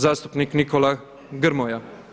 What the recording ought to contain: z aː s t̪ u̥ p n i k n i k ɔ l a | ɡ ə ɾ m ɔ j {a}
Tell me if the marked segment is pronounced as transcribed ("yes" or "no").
yes